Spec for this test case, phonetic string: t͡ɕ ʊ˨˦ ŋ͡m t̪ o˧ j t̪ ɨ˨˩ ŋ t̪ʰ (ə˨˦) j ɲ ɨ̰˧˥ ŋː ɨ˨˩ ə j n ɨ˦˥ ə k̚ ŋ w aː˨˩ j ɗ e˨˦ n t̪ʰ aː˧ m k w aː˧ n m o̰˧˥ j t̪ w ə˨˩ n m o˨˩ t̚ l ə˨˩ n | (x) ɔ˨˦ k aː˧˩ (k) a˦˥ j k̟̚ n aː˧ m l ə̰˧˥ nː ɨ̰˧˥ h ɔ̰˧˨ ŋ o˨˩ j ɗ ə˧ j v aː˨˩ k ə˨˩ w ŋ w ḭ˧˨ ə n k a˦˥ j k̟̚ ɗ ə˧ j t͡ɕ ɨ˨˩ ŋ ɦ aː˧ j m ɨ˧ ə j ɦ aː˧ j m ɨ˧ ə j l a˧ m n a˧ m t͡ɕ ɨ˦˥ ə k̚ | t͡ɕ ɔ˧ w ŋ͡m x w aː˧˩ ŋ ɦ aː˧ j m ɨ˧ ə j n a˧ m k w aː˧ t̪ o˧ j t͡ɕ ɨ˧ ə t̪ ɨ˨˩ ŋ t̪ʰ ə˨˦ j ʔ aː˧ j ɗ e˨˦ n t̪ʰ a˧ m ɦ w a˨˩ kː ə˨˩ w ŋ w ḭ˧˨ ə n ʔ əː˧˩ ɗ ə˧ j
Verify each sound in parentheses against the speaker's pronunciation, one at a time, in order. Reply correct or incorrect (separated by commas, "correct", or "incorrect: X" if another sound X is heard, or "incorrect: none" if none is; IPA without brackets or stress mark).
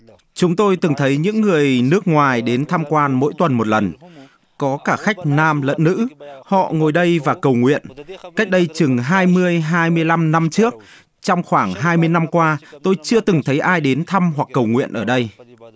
correct, incorrect: k, incorrect: x